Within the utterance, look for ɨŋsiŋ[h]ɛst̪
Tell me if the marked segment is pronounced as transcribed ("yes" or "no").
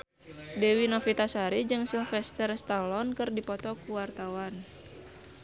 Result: no